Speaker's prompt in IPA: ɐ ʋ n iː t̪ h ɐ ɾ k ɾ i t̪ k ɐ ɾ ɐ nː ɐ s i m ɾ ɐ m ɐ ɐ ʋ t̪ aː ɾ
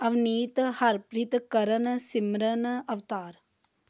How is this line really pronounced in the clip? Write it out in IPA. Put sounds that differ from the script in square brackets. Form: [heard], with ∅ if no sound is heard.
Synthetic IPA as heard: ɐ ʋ n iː t̪ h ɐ ɾ [p] ɾ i t̪ k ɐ ɾ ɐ [n] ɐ s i m ɾ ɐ [n] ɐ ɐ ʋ t̪ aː ɾ